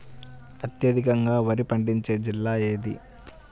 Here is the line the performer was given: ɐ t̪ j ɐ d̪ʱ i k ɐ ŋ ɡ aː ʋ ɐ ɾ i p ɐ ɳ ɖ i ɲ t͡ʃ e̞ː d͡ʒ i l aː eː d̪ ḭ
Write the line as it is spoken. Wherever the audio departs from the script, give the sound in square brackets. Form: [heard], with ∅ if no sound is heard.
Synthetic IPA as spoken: ɐ t̪ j ɐ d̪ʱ i k ɐ ŋ ɡ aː ʋ ɐ ɾ i p ɐ ɳ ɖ i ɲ t͡ʃ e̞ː d͡ʒ i [lː] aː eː d̪ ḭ